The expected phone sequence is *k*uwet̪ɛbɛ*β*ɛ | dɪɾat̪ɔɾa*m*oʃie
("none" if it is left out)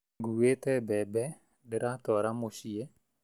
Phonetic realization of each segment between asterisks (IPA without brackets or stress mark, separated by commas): ɡ, b, m